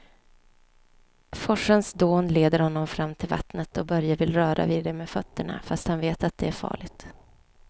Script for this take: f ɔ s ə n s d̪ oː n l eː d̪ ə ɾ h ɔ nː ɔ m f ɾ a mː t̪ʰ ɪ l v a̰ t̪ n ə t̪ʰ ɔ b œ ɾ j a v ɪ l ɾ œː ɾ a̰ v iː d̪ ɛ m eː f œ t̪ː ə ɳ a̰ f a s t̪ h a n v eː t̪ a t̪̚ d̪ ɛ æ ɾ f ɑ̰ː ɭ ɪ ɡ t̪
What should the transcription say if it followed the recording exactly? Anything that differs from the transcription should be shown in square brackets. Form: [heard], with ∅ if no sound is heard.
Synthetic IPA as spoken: f ɔ [ʂ] ə n s d̪ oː n l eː d̪ ə ɾ h ɔ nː ɔ m f ɾ a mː t̪ʰ ɪ l v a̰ t̪ n ə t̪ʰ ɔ b œ ɾ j a v ɪ l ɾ œː ɾ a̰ v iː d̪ ɛ m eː f œ t̪ː ə ɳ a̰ f a s t̪ h a n v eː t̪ a t̪̚ d̪ ɛ æ ɾ f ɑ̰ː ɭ ɪ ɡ t̪